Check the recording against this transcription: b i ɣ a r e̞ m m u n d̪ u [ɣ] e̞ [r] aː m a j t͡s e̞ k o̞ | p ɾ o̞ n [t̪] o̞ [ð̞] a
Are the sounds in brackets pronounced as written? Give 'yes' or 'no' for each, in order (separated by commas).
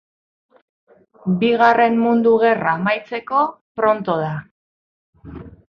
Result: yes, yes, yes, yes